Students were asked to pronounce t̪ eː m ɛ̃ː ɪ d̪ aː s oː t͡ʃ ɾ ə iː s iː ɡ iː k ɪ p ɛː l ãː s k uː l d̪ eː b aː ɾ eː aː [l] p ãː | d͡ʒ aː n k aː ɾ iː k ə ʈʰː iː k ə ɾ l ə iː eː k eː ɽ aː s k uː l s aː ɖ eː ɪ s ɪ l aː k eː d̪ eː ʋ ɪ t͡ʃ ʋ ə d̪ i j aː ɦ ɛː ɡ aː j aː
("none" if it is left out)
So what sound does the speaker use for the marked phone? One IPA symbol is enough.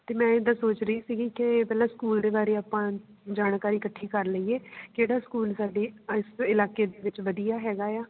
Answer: none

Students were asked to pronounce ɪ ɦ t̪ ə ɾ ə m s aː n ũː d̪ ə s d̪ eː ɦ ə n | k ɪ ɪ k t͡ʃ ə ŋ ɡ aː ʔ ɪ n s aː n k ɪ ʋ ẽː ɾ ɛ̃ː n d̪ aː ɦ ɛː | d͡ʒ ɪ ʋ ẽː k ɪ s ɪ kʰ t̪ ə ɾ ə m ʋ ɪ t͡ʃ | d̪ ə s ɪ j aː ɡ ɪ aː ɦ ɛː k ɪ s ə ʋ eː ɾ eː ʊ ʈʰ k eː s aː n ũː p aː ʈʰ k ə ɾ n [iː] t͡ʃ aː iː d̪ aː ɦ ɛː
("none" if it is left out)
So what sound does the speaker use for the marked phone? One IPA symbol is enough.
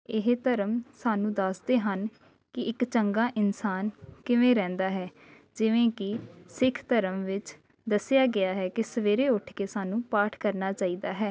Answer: aː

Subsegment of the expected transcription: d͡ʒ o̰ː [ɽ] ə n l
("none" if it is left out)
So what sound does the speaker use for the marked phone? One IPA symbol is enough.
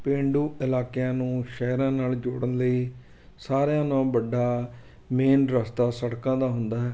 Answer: ɽ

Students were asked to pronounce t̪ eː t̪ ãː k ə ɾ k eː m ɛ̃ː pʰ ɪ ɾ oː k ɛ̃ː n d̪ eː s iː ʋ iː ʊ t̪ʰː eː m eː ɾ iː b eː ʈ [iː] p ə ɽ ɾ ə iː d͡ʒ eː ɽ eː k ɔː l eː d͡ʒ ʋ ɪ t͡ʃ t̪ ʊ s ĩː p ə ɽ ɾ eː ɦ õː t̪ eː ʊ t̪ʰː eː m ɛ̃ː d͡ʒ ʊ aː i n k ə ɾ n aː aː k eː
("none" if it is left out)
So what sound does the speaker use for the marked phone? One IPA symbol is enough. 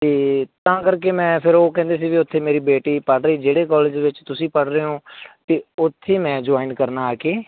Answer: iː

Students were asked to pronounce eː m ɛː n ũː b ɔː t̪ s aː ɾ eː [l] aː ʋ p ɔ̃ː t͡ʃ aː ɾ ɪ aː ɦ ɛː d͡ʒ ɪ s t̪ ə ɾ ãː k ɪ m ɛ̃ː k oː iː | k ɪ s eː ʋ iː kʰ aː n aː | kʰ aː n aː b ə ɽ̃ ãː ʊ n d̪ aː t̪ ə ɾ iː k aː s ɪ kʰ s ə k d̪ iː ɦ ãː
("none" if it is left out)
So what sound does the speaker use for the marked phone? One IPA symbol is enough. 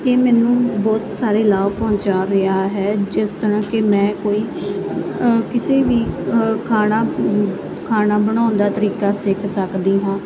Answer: l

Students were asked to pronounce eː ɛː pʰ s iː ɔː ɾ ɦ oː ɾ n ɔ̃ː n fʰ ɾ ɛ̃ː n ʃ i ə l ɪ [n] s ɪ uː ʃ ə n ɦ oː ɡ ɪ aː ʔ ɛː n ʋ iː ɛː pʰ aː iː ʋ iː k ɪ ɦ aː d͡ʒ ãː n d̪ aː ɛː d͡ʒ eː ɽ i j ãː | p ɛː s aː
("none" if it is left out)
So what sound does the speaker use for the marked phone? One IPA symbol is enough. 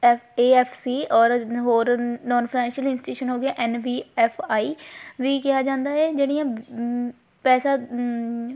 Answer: n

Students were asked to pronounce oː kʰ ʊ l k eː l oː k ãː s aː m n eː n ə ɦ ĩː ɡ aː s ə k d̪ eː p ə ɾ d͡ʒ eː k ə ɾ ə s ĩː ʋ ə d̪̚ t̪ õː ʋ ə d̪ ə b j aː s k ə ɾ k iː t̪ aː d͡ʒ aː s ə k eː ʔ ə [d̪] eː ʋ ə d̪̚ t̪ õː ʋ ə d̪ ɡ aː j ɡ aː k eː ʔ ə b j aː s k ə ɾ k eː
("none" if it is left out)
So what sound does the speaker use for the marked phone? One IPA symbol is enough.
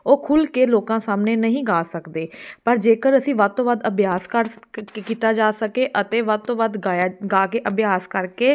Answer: t̪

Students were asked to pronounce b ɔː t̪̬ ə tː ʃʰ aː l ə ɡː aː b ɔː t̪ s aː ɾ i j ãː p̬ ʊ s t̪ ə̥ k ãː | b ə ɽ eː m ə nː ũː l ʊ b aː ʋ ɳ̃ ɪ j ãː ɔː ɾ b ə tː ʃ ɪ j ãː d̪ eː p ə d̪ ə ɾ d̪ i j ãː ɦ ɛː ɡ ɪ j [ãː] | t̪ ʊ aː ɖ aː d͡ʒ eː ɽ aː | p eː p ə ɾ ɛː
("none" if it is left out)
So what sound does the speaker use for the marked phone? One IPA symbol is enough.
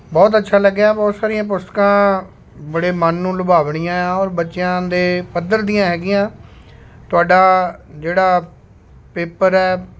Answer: ãː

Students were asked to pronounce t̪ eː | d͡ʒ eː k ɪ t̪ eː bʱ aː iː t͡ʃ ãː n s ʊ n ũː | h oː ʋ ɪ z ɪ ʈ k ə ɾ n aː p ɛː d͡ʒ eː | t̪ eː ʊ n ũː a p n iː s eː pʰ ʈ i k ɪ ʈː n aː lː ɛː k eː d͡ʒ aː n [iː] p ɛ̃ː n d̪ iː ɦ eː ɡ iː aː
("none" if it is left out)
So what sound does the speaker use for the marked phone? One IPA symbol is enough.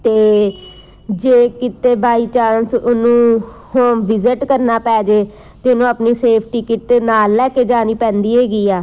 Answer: iː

